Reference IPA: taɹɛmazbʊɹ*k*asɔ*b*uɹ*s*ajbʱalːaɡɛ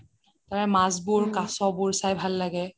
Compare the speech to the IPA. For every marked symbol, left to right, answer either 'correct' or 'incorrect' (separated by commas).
correct, correct, correct